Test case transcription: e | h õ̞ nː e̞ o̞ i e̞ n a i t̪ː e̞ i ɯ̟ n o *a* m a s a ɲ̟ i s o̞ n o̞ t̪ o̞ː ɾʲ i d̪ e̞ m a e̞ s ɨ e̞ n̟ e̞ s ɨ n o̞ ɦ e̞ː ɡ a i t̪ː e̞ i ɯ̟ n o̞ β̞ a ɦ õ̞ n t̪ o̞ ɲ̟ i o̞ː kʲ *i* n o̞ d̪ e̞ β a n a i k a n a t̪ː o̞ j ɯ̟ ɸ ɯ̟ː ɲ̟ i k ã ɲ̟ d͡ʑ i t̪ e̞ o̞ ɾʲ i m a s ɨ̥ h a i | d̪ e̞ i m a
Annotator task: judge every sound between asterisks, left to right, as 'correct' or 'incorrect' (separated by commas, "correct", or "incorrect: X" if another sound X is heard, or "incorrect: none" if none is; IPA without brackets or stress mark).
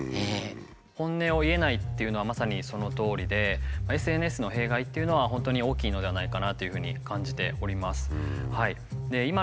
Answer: correct, incorrect: iː